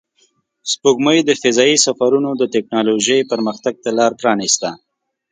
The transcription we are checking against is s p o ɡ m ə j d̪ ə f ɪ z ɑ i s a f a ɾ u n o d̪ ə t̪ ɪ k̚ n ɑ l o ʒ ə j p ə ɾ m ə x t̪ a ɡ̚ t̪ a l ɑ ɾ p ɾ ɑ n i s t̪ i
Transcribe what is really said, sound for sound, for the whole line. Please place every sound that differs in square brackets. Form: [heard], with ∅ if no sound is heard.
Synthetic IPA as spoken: s p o ɡ m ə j d̪ ə f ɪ z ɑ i s a f a ɾ u n o d̪ ə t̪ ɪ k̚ n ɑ l o ʒ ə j p ə ɾ m ə x t̪ a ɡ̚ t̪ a l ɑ ɾ p ɾ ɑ n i s t̪ [a]

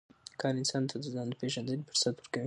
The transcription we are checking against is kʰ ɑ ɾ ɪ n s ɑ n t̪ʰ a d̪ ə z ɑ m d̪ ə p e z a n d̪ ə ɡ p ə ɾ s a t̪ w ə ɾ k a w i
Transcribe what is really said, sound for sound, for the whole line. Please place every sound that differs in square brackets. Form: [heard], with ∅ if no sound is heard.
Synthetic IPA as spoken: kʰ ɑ ɾ ɪ n s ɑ n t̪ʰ a d̪ ə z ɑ [n] d̪ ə p e [ʒ] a n d̪ ə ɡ p ə ɾ s a t̪ w ə ɾ k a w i

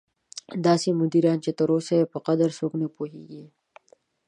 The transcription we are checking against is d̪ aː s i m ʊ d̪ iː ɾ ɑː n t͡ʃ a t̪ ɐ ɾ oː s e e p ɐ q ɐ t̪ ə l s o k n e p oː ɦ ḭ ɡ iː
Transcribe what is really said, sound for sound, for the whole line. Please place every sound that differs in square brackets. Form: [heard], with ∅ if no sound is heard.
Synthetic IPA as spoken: d̪ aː s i m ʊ d̪ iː ɾ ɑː n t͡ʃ [e] t̪ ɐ ɾ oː s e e p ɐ q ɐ [d̪] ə [ɾ] s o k n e p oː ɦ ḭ ɡ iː

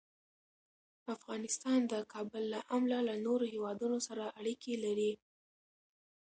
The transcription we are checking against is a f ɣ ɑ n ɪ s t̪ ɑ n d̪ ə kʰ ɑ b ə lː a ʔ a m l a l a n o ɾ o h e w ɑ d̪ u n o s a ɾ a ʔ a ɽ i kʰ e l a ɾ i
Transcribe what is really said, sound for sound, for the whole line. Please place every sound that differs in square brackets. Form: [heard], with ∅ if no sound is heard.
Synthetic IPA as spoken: a f ɣ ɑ n ɪ s t̪ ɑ n d̪ ə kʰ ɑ b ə lː a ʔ a m l a l a n o ɾ o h e w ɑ d̪ u n o s a ɾ a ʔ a ɽ i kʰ e l a ɾ i

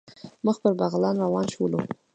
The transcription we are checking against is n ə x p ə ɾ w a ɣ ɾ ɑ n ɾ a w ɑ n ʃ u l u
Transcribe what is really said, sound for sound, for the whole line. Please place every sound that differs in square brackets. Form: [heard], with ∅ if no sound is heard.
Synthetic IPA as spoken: [m] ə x p ə ɾ [b] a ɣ [l] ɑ n ɾ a w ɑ n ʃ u l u

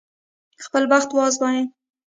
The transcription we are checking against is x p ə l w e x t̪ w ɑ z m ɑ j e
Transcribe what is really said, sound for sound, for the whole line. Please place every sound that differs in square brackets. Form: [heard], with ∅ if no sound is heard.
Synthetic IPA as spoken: x p ə l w [a] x t̪ w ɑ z [b] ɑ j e

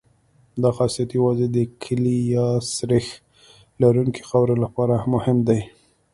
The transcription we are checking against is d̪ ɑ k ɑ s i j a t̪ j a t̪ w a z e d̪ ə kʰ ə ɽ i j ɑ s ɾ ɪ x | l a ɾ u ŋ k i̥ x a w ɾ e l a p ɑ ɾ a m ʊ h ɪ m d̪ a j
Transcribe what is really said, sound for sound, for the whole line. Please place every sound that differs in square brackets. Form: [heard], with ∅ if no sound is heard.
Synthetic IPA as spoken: d̪ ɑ [x] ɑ s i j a t̪ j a [∅] w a z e d̪ ə kʰ ə [l] i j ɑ s ɾ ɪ x | l a ɾ u ŋ k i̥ x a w ɾ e l a p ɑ ɾ a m ʊ h ɪ m d̪ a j

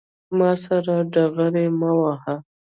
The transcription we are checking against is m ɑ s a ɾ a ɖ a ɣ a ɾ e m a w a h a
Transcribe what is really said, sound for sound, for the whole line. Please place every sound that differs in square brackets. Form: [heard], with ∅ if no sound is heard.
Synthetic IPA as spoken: m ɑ s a ɾ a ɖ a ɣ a ɾ e m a w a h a

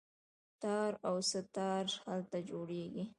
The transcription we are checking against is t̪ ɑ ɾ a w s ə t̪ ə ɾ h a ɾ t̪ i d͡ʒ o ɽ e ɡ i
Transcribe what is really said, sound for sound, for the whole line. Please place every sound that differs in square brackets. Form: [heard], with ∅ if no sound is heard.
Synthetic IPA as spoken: t̪ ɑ ɾ a w s ə t̪ [ɑ] ɾ h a [l] t̪ [a] d͡ʒ o ɽ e ɡ i

